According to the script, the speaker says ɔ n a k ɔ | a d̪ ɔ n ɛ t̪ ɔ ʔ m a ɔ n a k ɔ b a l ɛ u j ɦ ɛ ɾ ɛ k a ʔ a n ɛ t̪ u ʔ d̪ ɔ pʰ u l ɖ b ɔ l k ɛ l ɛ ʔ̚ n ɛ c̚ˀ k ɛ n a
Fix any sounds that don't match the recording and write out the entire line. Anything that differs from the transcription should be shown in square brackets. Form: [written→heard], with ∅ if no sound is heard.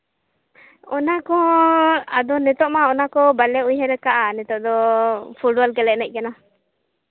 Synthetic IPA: ɔ n a k ɔ | a d̪ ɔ n ɛ t̪ ɔ ʔ m a ɔ n a k ɔ b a l ɛ u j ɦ ɛ ɾ ɛ k a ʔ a n ɛ t̪ [u→ɔ] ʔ d̪ ɔ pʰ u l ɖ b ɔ l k ɛ l ɛ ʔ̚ n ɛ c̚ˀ k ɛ n a